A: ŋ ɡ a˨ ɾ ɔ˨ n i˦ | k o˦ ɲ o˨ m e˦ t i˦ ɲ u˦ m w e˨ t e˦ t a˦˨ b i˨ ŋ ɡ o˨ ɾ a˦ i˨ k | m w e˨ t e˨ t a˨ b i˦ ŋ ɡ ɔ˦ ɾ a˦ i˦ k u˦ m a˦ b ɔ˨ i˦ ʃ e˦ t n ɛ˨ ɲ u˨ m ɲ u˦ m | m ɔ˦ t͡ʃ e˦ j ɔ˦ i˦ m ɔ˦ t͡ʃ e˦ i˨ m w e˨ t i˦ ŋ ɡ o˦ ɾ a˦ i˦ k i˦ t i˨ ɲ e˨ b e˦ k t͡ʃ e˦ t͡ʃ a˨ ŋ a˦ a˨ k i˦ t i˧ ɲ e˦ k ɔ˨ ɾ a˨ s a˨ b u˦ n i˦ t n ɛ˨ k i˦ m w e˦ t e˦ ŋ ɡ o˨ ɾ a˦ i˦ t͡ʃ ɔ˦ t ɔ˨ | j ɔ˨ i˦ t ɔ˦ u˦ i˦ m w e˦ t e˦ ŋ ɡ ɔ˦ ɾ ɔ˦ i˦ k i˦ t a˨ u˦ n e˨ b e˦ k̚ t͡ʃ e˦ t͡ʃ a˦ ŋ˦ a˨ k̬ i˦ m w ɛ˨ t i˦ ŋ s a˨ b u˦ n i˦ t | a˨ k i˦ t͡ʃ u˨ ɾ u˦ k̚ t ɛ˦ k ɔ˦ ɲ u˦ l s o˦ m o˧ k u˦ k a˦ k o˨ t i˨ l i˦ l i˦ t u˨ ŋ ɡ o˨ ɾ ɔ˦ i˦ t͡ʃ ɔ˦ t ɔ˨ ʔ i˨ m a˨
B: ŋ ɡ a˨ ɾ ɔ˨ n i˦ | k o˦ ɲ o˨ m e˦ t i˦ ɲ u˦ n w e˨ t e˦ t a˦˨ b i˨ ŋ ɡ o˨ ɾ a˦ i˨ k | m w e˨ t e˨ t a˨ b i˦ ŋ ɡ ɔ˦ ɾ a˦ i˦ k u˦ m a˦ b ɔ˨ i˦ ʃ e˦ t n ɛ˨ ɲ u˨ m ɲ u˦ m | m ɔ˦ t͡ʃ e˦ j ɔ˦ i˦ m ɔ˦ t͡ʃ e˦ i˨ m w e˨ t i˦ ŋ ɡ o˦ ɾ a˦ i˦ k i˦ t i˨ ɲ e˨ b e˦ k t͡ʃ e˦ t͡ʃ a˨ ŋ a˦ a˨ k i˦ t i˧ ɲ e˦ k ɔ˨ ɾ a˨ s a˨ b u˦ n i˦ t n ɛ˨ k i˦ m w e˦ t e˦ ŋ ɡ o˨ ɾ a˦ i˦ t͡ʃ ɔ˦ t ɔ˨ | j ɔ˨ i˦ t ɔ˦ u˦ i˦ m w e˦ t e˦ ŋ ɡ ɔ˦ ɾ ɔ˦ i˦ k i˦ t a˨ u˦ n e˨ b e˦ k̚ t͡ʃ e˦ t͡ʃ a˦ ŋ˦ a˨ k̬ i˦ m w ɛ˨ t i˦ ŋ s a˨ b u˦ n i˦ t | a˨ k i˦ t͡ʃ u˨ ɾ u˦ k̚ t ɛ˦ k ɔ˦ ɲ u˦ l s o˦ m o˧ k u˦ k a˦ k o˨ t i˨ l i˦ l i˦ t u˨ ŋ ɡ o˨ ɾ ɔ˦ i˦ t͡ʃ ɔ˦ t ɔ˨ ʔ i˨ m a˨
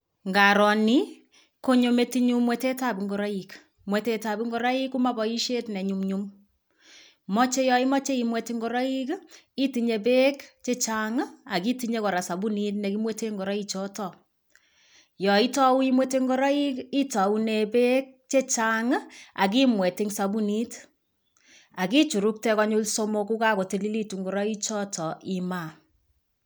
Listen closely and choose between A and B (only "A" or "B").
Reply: A